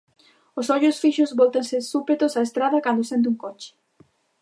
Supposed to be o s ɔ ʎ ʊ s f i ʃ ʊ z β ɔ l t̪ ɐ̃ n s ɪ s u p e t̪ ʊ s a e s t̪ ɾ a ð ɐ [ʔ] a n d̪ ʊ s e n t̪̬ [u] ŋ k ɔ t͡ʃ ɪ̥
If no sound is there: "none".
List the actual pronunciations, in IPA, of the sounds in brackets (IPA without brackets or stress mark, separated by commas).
k, u